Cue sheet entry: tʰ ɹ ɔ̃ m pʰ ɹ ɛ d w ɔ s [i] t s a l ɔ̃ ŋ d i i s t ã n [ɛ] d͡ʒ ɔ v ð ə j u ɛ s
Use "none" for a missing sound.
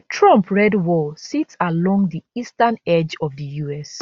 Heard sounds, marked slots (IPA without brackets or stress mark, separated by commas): i, ɛ